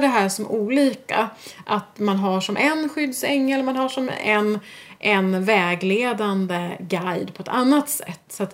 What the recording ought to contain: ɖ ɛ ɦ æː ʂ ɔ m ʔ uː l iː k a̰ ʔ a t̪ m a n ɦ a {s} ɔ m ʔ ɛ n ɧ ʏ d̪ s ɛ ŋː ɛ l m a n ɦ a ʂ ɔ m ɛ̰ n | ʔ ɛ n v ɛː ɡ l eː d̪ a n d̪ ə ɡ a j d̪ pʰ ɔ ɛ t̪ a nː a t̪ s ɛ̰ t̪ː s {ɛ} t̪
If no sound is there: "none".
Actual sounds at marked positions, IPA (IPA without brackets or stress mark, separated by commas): ʂ, a